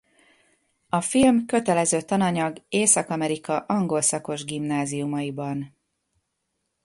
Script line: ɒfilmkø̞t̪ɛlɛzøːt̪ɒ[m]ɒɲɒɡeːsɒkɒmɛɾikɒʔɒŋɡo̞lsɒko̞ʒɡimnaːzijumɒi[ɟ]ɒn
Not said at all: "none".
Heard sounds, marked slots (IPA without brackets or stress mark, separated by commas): n, b